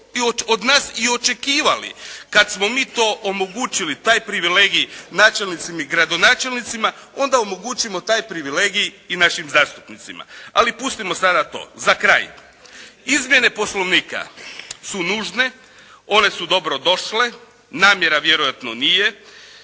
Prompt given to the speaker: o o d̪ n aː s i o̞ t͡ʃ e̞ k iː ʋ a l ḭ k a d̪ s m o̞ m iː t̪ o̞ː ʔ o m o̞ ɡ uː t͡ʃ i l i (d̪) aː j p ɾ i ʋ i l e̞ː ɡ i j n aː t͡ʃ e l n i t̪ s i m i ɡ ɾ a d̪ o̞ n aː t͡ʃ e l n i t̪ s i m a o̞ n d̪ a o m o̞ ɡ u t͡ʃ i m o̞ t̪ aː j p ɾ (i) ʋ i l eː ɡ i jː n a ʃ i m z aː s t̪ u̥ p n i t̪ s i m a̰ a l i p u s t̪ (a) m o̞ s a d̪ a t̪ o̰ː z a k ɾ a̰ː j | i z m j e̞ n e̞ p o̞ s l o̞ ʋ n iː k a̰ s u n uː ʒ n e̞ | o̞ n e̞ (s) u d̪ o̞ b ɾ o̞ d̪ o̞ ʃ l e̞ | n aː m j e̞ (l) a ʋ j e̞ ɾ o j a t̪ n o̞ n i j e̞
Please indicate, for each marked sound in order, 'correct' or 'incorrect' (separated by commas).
incorrect, correct, incorrect, correct, incorrect